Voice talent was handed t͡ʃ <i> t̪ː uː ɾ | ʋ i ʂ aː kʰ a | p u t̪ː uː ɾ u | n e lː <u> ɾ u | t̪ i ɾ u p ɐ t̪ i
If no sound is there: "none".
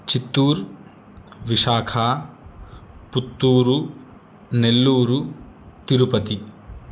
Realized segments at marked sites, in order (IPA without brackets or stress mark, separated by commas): i, uː